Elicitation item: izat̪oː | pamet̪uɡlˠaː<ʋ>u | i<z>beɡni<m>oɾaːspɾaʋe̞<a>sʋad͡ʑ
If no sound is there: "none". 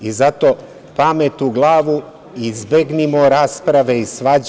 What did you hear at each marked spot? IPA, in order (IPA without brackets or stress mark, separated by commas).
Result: ʋ, z, m, i